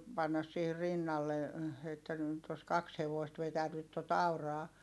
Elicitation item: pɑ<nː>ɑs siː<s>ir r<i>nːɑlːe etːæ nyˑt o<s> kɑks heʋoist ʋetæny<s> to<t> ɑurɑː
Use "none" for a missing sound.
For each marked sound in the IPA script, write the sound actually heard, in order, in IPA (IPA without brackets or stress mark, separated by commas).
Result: nː, h, i, s, t, t